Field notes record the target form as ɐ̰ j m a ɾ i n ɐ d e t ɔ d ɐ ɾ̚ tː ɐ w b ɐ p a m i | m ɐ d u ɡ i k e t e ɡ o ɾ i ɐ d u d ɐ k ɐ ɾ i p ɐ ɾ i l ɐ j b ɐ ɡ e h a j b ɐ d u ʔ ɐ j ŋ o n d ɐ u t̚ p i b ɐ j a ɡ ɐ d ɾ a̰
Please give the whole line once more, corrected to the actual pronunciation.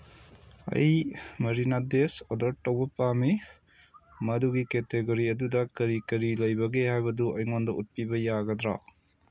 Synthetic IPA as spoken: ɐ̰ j m ɐ ɾ i n a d e s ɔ d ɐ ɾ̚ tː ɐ w b ɐ p a m i | m ɐ d u ɡ i k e t e ɡ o ɾ i ɐ d u d ɐ k ɐ ɾ i k ɐ ɾ i l ɐ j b ɐ ɡ e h a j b ɐ d u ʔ ɐ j ŋ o n d ɐ u t̚ p i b ɐ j a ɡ ɐ d ɾ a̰